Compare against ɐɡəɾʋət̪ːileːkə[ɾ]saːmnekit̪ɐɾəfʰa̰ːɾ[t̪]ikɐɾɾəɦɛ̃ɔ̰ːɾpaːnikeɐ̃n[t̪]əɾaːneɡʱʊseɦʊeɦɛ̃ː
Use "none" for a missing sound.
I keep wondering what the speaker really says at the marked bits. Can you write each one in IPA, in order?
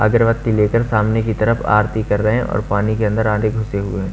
ɾ, t̪, d̪

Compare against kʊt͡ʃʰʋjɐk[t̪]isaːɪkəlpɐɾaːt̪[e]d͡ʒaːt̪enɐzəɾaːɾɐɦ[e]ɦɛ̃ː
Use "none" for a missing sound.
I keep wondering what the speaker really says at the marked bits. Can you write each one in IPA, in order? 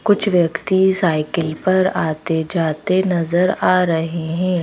t̪, e, e

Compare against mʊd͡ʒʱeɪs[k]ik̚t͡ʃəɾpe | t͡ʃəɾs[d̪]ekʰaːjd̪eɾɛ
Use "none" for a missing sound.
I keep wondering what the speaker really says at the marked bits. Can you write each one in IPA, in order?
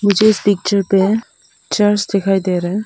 p, d̪

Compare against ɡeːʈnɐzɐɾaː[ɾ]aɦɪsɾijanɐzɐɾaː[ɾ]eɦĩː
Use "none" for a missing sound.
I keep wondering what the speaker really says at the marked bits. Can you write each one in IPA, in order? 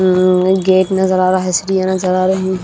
ɾ, ɾ

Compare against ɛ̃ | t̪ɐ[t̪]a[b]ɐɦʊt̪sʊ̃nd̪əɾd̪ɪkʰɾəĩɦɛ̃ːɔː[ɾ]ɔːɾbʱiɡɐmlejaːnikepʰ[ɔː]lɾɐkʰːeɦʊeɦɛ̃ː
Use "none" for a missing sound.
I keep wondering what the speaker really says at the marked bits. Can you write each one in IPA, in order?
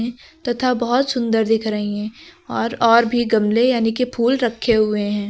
t̪ʰ, b, ɾ, uː

